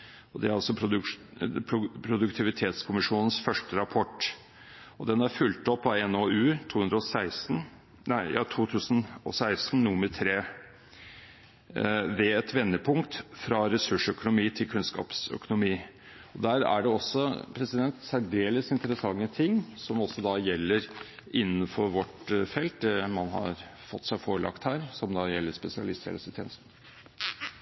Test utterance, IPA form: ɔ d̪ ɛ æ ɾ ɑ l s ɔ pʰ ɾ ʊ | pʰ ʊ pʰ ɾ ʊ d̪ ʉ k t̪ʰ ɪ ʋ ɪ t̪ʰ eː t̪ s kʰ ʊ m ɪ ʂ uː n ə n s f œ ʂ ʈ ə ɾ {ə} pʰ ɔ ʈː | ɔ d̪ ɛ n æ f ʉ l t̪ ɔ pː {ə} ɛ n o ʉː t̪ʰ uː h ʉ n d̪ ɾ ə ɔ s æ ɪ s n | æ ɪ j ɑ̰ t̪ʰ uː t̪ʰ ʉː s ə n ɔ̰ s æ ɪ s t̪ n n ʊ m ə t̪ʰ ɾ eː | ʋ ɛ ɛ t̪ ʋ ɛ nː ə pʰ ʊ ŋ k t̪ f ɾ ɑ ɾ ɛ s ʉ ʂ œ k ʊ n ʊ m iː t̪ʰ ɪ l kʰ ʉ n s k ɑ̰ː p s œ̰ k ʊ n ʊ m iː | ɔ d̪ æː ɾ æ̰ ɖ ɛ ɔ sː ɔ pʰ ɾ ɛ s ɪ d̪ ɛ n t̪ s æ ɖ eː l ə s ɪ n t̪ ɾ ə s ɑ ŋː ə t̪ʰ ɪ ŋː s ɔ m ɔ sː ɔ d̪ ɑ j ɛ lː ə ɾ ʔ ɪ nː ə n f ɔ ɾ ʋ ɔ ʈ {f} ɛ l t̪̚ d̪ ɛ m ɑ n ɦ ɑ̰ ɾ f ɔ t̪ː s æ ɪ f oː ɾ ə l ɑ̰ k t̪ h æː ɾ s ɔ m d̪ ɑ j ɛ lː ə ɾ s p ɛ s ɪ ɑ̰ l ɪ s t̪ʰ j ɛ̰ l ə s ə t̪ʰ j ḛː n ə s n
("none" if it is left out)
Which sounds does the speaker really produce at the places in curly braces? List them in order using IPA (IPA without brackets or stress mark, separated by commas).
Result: ɑ, ɑ, f